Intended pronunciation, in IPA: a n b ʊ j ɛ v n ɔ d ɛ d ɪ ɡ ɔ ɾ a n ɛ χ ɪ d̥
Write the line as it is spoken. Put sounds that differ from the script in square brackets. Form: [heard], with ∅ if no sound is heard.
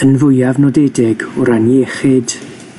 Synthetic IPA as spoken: [ə] n [v] ʊ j [a] v n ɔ d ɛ d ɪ ɡ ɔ ɾ a n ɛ χ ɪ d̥